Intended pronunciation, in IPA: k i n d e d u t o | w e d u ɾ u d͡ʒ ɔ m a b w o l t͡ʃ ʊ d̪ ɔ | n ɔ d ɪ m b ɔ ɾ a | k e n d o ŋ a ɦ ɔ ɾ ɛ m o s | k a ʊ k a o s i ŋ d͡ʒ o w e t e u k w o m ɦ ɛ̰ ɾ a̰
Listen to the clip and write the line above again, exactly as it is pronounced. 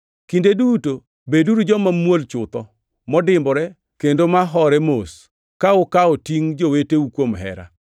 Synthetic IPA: k i n d e d u t o | b e d u ɾ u d͡ʒ ɔ m a m w o l t͡ʃ ʊ t̪ ɔ | m ɔ d ɪ m b ɔ ɾ ɛ | k e n d o m a ɦ ɔ ɾ ɛ m o s | k a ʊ k a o t i ŋ d͡ʒ o w e t e u k w o m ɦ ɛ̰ ɾ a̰